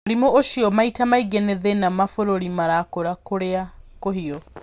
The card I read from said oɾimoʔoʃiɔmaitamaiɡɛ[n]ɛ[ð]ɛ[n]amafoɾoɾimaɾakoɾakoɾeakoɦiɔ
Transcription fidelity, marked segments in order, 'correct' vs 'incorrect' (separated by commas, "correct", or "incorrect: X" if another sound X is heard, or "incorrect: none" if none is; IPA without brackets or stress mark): correct, correct, correct